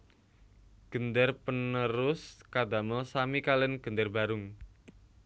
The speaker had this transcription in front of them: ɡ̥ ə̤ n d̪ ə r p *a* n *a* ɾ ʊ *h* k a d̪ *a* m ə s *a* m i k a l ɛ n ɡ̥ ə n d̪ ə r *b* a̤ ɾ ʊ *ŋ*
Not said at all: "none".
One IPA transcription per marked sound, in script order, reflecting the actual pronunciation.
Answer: ə, ə, s, a, a, b, ŋ

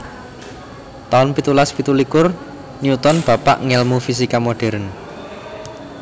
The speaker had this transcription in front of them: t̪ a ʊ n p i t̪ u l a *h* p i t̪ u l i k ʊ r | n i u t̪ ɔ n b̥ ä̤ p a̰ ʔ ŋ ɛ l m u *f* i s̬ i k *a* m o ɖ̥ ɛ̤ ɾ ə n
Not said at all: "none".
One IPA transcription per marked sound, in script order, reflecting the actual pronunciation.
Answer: s, f, a

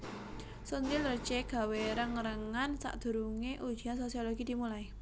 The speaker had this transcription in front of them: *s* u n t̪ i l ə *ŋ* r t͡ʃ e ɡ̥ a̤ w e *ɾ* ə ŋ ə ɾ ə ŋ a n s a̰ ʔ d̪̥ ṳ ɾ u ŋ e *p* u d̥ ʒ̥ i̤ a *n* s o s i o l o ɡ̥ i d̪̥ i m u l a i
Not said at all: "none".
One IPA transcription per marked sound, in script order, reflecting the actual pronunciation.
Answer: s, none, ɾ, ʔ, n

